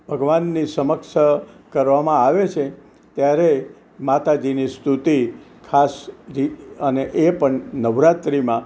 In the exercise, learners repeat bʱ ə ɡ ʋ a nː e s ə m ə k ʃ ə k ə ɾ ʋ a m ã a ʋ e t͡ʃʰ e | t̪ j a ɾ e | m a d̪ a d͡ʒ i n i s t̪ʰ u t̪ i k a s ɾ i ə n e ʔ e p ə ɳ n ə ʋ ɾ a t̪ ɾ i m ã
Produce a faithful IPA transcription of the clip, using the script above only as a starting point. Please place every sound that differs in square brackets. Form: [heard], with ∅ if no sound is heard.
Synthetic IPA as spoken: bʱ ə ɡ ʋ a nː [i] s ə m ə k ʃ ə k ə ɾ ʋ a m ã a ʋ e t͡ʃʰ e | t̪ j a ɾ e | m a [t̪] a d͡ʒ i n i s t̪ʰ u t̪ i [kʰ] a s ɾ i ə n e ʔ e p ə ɳ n ə ʋ ɾ a t̪ ɾ i m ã